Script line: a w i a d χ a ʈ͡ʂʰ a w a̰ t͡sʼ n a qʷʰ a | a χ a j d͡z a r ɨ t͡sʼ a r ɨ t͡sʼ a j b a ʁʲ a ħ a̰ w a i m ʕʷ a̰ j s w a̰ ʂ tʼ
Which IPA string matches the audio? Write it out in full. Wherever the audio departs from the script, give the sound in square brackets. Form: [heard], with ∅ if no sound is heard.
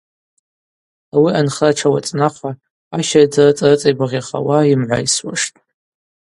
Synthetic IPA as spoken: a w i a [n] χ a ʈ͡ʂʰ a w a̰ t͡sʼ n a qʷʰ a | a [ʃ] a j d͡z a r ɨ t͡sʼ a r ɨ t͡sʼ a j b a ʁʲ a [χ] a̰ w a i m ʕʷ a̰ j s w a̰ ʂ tʼ